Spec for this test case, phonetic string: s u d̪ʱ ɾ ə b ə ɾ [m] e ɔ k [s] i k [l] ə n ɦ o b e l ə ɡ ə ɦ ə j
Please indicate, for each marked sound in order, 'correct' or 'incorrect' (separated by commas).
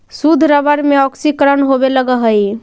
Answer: correct, correct, incorrect